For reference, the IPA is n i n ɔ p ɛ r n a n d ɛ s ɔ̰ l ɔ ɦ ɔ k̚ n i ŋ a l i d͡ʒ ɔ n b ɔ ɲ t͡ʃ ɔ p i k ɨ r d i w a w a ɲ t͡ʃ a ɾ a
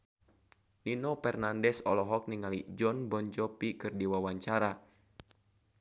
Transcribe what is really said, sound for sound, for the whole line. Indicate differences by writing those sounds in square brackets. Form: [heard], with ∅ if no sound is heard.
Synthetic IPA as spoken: n i n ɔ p ɛ r n a n d ɛ s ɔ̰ l ɔ ɦ ɔ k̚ n i ŋ a l i d͡ʒ ɔ n b ɔ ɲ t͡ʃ ɔ p i k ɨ r d i w a w a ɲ t͡ʃ a ɾ a